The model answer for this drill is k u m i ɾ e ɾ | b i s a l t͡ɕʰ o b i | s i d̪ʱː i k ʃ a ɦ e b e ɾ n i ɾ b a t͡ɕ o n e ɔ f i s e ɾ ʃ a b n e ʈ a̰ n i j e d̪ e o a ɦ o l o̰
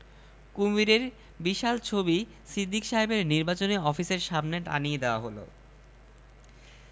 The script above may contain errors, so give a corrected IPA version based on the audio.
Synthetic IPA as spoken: k u m i ɾ e ɾ | b i ʃ a l t͡ɕʰ o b i | s i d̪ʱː i k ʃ a ɦ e b e ɾ n i ɾ b a t͡ɕ o n e ɔ f i s e ɾ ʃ a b n e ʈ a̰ n i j e d̪ e o a ɦ o l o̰